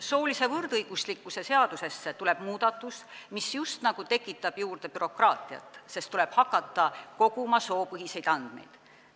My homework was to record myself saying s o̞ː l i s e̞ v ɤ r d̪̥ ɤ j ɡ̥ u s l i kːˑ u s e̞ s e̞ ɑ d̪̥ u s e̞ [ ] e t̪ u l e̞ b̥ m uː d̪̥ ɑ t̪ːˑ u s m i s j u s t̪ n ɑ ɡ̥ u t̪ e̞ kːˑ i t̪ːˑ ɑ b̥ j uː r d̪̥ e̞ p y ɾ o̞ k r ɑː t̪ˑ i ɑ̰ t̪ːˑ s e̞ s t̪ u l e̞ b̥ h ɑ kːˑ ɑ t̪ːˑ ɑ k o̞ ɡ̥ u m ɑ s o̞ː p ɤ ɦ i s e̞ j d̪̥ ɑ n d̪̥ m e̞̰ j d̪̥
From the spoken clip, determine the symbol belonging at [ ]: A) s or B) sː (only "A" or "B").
B